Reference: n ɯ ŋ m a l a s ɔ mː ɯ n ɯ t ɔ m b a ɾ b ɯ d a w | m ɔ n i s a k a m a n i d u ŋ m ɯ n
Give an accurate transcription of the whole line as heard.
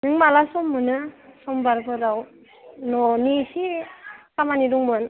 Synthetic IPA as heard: n ɯ ŋ m a l a s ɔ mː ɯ n ɯ s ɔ m b a ɾ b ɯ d a w | n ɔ n i s i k a m a n i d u ŋ m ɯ n